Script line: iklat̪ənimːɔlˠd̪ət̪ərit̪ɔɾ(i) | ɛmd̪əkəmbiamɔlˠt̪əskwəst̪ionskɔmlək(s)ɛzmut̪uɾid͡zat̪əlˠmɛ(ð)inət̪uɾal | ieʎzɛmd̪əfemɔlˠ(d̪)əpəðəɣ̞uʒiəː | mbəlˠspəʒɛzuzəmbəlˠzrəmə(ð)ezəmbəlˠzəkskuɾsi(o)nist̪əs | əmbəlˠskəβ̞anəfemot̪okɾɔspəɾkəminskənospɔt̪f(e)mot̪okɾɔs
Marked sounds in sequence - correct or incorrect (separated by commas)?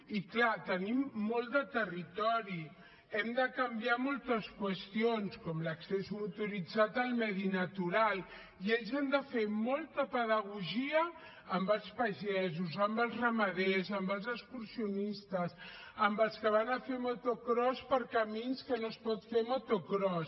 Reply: correct, correct, correct, incorrect, correct, incorrect, correct